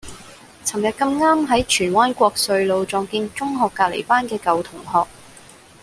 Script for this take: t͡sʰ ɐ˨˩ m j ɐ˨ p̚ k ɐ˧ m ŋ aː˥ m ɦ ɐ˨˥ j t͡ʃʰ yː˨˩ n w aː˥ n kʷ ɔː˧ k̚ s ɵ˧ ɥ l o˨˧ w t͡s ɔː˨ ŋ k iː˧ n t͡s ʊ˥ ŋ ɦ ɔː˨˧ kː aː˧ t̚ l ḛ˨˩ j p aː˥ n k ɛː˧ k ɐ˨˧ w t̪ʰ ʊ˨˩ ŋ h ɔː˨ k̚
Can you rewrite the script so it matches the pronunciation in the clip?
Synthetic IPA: t͡sʰ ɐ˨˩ m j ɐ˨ t̚ k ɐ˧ m ŋ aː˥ m ɦ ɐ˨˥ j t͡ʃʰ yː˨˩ n w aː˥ n kʷ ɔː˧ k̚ s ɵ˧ ɥ l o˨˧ w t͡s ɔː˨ ŋ k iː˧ n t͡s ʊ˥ ŋ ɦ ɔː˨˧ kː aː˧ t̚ l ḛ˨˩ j p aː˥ n k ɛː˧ k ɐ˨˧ w t̪ʰ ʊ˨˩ ŋ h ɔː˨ k̚

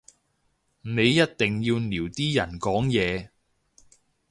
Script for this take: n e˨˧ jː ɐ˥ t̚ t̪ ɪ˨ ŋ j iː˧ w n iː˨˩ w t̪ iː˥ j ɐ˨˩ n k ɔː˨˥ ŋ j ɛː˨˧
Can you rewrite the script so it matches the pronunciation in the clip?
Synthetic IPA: n e˨˧ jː ɐ˥ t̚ t̪ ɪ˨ ŋ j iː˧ w n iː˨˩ w t̪ iː˥ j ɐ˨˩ n k ɔː˨˥ ŋ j ɛː˨˧

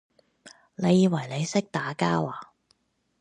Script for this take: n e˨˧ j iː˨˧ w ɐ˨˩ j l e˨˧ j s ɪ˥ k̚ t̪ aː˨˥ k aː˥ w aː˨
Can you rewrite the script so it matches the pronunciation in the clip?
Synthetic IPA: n e˨˧ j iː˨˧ w ɐ˨˩ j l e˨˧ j s ɪ˥ k̚ t̪ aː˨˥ k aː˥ w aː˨

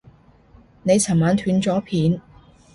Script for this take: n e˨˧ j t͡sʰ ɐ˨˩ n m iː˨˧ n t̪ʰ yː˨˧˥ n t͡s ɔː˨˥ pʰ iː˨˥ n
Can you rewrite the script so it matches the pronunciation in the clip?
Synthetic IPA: n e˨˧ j t͡sʰ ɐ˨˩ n m aː˨˧ n t̪ʰ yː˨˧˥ n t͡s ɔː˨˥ pʰ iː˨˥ n

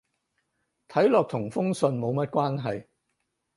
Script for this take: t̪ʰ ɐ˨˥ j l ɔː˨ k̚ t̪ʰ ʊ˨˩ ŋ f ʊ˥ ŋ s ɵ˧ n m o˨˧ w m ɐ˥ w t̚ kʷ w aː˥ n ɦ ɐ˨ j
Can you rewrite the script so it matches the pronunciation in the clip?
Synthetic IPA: t̪ʰ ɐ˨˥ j l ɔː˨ k̚ t̪ʰ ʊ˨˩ ŋ f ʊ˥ ŋ s ɵ˧ n m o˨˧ w m ɐ˥ t̚ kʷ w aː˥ n ɦ ɐ˨ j

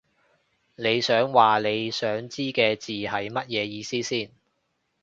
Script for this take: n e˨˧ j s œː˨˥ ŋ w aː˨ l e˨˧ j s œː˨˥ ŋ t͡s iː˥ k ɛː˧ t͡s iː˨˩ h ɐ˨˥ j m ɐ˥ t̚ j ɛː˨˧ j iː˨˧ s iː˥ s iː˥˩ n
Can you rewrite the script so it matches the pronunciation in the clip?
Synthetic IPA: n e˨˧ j s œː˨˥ ŋ w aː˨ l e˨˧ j s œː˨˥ ŋ t͡s iː˥ k ɛː˧ t͡s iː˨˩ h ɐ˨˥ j m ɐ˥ t̚ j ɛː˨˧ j iː˨˧ s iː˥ s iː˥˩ n

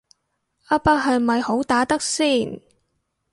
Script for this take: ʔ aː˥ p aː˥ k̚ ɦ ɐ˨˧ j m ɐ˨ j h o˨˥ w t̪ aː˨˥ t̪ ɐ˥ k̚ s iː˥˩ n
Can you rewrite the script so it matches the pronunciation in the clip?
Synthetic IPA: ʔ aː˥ p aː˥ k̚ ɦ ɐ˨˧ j m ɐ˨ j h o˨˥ w t̪ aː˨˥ t̪ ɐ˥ k̚ s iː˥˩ n

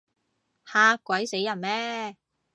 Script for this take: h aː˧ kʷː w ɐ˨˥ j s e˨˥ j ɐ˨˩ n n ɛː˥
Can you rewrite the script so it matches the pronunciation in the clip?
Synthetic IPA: h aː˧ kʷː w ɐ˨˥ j s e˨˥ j ɐ˨˩ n m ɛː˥

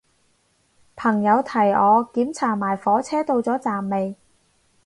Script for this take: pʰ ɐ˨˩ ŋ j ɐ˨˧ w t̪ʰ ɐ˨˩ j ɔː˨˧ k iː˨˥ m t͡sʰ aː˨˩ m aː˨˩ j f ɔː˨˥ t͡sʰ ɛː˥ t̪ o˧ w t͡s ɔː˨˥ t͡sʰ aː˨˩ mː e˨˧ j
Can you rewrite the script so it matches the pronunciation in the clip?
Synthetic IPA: pʰ ɐ˨˩ ŋ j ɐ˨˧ w t̪ʰ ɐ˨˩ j ɔː˨˧ k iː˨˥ m t͡sʰ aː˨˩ m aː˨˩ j f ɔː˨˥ t͡sʰ ɛː˥ t̪ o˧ w t͡s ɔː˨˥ t͡s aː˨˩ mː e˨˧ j

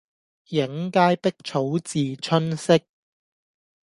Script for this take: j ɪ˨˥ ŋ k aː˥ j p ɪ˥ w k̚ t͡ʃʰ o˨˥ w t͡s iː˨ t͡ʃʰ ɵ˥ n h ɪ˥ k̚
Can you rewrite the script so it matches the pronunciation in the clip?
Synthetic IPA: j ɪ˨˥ ŋ k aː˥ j p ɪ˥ k̚ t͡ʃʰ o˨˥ w t͡s iː˨ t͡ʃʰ ɵ˥ n s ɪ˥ k̚

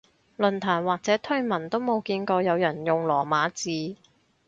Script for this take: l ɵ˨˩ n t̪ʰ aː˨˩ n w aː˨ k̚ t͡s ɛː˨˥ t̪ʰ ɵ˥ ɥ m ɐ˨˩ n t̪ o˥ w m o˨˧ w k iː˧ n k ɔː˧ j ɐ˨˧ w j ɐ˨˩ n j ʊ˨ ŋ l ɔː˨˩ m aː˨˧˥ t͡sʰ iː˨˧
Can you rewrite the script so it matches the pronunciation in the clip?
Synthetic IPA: l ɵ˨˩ n t̪ʰ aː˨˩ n w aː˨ k̚ t͡s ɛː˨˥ t̪ʰ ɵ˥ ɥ m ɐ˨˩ n t̪ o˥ w m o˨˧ w k iː˧ n k ɔː˧ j ɐ˨˧ w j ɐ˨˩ n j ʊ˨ ŋ l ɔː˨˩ m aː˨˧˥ t͡s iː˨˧

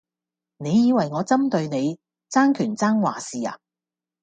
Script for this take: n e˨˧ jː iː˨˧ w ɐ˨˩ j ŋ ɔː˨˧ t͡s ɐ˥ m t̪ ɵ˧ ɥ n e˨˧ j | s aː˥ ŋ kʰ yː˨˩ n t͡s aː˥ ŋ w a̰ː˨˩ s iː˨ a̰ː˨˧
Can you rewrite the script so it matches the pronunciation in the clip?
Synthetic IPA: n e˨˧ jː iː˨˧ w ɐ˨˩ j ŋ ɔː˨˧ t͡s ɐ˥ m t̪ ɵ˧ ɥ n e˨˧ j | t͡s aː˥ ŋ kʰ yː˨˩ n t͡s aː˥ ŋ w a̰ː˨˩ s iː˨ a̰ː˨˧

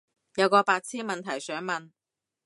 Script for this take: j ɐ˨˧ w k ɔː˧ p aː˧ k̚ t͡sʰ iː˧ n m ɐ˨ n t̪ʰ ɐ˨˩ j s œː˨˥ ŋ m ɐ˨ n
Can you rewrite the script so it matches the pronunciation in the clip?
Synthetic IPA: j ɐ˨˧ w k ɔː˧ p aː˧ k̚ t͡sʰ iː˥ n m ɐ˨ n t̪ʰ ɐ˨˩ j s œː˨˥ ŋ m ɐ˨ n

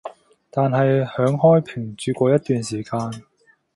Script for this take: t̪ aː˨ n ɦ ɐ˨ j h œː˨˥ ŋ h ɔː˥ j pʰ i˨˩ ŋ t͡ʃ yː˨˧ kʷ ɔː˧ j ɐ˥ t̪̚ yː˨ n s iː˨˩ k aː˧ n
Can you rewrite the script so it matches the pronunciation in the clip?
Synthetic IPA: t̪ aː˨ n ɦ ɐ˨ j h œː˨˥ ŋ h ɔː˥ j pʰ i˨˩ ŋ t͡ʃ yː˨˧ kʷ ɔː˧ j ɐ˥ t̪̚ yː˨ n s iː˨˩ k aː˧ n

